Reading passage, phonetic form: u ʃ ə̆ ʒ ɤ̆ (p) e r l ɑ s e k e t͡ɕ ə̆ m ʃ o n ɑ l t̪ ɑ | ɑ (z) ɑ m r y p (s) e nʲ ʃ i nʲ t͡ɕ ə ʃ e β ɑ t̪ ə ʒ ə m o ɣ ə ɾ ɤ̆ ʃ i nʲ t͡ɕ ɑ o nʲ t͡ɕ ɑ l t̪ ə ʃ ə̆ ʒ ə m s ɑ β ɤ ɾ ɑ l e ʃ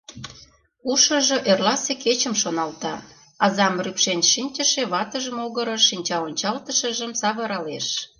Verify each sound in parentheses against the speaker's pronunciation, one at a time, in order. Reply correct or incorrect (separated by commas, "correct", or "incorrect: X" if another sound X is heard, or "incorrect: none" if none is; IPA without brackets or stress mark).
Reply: incorrect: ʔ, correct, incorrect: ʃ